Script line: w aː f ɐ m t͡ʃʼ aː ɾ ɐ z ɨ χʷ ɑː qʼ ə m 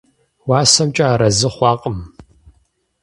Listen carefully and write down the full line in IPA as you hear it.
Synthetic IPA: w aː s ɐ m t͡ʃʼ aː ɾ ɐ z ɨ χʷ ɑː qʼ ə m